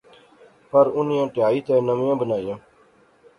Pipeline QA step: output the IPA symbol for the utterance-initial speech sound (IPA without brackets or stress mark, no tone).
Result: p